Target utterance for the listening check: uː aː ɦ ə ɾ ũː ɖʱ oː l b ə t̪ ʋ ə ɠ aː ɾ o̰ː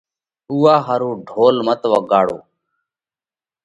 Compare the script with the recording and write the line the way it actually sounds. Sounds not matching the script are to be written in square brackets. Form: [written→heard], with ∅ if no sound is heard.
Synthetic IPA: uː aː ɦ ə ɾ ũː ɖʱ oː l [b→m] ə t̪ ʋ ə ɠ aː [ɾ→ɽ] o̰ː